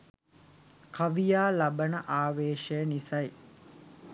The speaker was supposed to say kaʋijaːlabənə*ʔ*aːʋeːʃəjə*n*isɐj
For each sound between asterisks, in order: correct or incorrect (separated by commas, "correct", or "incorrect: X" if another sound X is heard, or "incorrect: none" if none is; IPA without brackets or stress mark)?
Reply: correct, correct